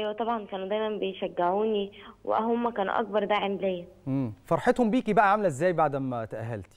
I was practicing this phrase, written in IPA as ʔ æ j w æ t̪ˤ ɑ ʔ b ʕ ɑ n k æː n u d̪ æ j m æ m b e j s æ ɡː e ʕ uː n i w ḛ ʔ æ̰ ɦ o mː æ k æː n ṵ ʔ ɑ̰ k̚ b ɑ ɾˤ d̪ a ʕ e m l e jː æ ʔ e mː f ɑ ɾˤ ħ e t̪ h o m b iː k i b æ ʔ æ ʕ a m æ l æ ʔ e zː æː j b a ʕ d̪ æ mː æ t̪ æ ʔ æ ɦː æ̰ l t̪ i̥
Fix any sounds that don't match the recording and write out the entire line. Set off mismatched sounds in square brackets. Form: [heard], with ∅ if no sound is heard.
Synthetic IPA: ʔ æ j w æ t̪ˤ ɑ [∅] b ʕ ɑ n k æː n u d̪ æ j m æ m b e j [ʃ] æ ɡː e ʕ uː n i w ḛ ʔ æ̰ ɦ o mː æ k æː n ṵ ʔ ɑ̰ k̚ b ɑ ɾˤ d̪ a ʕ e m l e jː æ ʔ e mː f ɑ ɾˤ ħ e t̪ h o m b iː k i b æ ʔ æ ʕ a m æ l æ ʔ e zː æː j b a ʕ d̪ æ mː æ t̪ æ ʔ æ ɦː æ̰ l t̪ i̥